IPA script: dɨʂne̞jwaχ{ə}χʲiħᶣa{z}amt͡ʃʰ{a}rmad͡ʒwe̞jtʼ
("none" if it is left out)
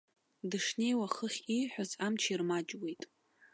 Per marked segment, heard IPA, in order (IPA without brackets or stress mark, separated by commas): ə, z, i